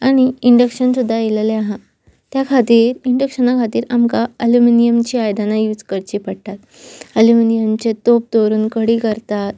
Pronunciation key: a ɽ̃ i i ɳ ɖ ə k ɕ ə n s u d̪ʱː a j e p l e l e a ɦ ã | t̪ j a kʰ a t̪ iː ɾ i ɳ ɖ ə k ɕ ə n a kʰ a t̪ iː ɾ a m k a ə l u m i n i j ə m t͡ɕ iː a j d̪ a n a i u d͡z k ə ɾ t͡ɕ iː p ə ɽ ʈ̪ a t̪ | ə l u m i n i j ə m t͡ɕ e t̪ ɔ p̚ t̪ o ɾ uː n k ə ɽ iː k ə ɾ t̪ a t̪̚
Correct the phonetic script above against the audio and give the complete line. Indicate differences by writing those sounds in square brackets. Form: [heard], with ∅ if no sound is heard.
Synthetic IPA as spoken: a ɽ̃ i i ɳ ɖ ə k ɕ ə n s u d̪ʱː a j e [∅] l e l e a ɦ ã | t̪ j a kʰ a t̪ iː ɾ i ɳ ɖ ə k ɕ ə n a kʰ a t̪ iː ɾ a m k a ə l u m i n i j ə m t͡ɕ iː a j d̪ a n a [j] u d͡z k ə ɾ t͡ɕ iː p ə ɽ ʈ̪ a t̪ | ə l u m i n i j ə m t͡ɕ e t̪ [o] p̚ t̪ o ɾ uː n k ə ɽ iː k ə ɾ t̪ a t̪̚